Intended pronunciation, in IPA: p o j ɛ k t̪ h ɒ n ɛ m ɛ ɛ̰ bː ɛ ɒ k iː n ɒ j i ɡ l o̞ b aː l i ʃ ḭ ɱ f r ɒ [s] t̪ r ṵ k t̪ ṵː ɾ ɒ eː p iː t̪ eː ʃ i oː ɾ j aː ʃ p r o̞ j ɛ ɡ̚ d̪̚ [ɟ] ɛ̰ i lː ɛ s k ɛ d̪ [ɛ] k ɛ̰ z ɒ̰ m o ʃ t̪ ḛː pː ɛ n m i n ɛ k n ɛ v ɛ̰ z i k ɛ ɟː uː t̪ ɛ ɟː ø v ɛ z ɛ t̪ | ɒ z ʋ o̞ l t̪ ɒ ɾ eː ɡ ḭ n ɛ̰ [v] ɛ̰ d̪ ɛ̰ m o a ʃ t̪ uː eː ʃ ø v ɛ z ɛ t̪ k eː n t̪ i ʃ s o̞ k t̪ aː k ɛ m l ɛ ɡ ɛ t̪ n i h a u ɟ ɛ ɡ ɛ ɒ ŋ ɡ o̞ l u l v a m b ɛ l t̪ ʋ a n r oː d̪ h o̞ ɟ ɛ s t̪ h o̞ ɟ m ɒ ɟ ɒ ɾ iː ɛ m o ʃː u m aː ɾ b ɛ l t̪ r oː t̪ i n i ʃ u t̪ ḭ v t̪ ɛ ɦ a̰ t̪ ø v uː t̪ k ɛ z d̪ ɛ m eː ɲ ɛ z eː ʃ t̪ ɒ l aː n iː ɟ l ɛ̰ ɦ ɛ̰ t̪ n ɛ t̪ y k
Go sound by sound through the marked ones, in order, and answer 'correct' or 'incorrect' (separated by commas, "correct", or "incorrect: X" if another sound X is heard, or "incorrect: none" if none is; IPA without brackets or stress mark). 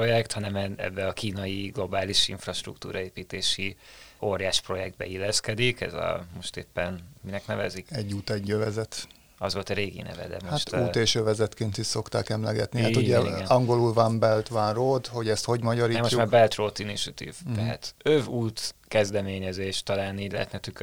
incorrect: ʃ, incorrect: b, incorrect: i, correct